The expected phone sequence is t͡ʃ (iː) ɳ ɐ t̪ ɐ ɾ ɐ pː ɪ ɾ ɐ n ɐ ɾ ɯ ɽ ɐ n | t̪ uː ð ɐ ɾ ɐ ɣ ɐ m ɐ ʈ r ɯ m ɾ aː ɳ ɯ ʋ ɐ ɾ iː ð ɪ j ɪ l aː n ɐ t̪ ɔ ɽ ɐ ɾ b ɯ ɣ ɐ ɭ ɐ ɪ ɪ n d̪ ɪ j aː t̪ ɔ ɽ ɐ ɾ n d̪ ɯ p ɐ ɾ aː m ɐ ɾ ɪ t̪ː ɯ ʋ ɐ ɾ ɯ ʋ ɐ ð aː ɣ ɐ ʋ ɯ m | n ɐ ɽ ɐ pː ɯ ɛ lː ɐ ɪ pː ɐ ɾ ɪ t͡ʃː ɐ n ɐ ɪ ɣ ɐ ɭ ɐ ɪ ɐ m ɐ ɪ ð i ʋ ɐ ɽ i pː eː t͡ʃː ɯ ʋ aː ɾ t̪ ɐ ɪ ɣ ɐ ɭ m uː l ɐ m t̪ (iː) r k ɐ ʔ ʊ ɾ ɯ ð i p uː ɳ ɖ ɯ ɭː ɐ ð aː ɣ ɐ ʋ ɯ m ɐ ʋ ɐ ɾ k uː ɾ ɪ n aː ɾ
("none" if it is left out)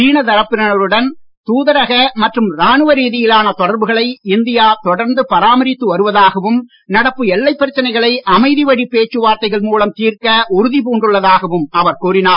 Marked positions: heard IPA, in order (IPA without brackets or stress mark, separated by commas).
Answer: iː, iː